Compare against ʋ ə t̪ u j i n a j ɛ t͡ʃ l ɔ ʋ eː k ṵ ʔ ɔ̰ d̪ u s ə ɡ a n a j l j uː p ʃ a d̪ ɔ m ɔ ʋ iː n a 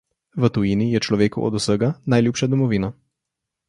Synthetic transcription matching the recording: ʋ ə t̪ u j i n i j ɛ t͡ʃ l ɔ ʋ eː k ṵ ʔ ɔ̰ d̪ u s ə ɡ a n a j l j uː p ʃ a d̪ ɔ m ɔ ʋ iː n a